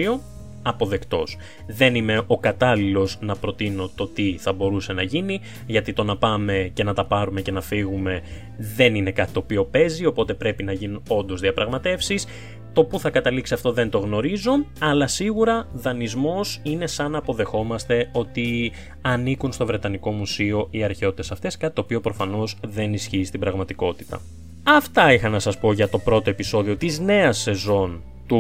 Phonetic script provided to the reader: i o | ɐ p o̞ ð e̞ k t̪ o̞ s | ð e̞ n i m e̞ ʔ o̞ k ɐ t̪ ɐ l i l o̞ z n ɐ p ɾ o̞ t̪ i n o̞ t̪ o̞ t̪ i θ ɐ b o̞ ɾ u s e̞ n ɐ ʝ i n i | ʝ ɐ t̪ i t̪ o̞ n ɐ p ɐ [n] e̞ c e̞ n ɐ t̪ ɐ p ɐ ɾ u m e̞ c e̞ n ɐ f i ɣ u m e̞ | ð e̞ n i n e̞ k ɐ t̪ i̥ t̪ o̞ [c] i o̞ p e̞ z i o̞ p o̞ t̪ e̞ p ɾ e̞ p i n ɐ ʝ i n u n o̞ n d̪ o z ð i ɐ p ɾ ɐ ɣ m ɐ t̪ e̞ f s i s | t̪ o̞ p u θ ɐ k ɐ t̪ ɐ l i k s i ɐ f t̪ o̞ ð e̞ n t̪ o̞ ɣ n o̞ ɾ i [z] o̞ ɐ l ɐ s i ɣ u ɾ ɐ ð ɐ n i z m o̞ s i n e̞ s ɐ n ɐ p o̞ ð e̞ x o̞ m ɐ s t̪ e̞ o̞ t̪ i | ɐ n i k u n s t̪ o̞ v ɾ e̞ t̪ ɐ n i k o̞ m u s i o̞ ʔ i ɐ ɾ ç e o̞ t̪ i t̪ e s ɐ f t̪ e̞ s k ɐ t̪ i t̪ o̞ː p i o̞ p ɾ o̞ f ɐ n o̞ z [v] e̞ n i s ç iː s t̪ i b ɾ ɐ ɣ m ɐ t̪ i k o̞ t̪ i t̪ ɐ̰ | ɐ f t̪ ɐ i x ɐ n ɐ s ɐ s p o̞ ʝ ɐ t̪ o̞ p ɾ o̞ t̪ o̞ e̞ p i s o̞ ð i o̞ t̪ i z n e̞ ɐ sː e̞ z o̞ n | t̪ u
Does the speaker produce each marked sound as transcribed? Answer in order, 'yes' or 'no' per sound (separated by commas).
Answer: no, no, yes, no